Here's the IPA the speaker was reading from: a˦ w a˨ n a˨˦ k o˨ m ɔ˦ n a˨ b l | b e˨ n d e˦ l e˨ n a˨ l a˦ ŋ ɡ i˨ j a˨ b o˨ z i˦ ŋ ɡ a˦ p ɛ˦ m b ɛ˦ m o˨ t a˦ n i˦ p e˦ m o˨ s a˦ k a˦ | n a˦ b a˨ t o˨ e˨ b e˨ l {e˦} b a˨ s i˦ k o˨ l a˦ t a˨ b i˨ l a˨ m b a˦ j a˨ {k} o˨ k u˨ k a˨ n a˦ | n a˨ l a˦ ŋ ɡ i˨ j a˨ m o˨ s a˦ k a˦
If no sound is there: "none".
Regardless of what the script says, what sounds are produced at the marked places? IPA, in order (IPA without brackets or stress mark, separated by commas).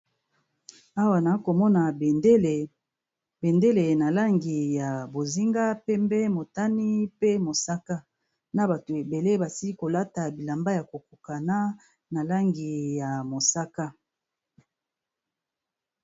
e˦, k